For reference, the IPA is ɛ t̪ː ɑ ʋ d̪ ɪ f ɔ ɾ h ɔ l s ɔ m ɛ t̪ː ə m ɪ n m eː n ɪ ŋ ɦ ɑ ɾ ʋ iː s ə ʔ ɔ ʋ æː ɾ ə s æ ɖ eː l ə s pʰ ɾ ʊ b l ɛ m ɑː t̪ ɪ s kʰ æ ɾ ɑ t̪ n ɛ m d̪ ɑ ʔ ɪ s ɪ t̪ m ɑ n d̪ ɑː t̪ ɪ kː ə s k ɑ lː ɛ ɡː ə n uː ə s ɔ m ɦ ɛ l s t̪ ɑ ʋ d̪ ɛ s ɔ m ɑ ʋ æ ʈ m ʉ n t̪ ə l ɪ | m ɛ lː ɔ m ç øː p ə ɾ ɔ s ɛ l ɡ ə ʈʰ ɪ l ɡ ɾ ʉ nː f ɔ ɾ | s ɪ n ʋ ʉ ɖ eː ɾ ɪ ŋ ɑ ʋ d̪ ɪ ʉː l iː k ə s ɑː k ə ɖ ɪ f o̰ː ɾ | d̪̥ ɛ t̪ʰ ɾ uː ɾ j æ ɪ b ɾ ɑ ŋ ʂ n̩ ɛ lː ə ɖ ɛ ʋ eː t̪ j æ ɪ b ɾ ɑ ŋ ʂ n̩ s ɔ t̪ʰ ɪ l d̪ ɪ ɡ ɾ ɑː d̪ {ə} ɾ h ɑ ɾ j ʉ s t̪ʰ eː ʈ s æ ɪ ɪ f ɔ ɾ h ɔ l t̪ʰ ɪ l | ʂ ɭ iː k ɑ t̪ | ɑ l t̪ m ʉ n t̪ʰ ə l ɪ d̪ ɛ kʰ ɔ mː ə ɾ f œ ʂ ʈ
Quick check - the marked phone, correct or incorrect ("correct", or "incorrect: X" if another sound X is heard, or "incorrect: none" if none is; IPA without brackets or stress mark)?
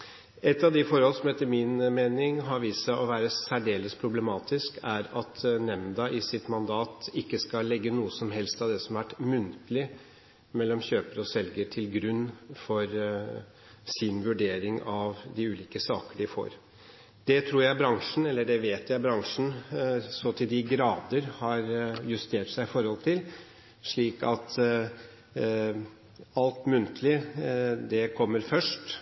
correct